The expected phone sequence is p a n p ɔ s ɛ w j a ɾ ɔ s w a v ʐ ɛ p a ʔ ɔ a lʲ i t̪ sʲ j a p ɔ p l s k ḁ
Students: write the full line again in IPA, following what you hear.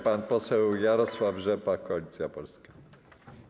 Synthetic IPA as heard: p a n p ɔ s ɛ w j a ɾ ɔ s w a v ʐ ɛ p a k ɔ a lʲ i t̪ sʲ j a p ɔ l s k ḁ